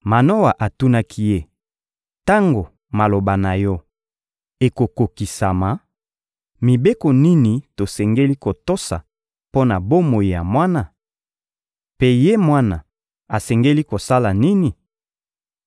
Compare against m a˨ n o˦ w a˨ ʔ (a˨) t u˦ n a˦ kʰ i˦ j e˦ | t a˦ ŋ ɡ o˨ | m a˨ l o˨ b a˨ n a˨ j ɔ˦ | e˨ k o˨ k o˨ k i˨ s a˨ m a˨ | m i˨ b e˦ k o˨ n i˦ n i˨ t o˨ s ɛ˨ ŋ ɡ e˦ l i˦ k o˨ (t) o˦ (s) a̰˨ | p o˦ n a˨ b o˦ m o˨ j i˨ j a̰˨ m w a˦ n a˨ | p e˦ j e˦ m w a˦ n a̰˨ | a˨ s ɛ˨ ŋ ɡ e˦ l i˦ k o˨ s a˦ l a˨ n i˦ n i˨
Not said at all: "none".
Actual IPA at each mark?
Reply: a˨, t, s

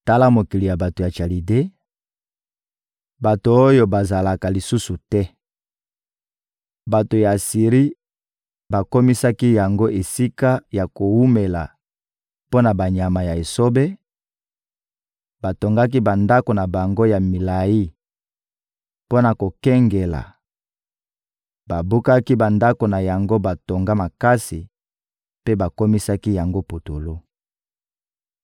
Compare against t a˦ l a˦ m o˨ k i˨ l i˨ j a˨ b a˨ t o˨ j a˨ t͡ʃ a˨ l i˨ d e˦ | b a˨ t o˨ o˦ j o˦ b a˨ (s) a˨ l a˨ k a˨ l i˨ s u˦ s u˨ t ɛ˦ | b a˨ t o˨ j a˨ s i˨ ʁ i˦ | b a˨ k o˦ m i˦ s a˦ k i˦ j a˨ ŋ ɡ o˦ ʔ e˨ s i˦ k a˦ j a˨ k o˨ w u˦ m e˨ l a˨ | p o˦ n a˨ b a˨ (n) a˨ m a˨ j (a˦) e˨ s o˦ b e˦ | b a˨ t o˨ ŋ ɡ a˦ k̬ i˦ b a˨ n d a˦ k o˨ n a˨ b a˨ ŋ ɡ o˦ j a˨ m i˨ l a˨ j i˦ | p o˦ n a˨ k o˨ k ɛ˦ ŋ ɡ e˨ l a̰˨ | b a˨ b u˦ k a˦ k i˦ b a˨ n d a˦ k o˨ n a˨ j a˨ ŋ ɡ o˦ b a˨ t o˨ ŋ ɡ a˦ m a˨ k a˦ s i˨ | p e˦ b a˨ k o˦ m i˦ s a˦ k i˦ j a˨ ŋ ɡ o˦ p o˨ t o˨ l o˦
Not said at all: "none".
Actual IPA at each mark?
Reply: z, ɲ, a˨

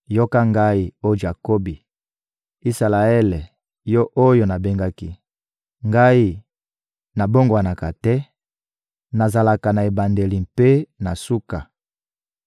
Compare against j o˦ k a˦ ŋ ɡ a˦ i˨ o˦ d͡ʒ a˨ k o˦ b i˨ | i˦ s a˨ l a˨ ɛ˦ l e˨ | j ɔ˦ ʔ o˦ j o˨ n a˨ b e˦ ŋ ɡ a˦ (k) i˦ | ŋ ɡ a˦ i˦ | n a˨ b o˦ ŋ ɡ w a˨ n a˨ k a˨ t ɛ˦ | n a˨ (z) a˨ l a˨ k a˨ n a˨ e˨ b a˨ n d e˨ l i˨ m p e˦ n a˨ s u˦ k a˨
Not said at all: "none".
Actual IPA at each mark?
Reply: k, z

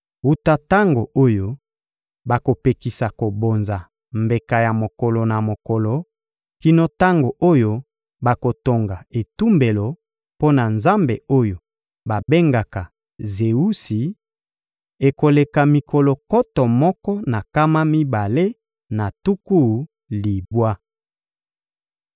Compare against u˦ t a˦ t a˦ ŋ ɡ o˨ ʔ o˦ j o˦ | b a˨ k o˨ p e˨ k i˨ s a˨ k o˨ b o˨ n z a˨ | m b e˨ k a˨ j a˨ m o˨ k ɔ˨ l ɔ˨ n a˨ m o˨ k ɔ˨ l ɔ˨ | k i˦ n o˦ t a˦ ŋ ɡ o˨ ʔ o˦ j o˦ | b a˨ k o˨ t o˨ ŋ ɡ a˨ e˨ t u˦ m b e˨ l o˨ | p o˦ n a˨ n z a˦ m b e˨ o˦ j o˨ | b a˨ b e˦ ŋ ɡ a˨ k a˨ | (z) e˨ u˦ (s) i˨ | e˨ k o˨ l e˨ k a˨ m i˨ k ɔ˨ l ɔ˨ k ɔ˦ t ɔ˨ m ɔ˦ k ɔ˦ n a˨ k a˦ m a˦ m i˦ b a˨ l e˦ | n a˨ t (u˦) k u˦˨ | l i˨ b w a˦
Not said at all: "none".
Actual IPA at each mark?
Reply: z, s, u˦

